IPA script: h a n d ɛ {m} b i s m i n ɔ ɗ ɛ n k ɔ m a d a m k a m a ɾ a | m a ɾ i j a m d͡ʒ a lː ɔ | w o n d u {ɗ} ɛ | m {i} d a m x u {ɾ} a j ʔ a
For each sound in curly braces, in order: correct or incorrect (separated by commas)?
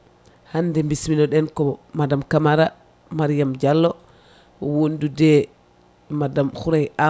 correct, incorrect, incorrect, correct